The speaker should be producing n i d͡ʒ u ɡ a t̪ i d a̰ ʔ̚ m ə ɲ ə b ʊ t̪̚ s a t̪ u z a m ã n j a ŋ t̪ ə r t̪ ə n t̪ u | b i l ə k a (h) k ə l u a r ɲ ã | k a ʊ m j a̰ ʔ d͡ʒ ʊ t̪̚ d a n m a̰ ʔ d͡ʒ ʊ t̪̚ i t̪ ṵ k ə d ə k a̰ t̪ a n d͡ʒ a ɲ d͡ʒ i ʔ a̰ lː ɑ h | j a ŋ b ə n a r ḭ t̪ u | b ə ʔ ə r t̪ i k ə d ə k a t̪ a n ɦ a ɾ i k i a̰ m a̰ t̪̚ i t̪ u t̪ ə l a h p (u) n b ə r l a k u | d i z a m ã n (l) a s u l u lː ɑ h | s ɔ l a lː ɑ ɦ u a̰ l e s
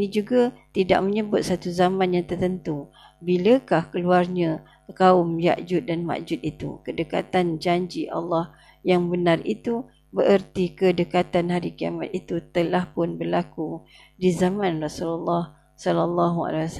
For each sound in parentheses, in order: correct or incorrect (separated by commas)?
correct, incorrect, incorrect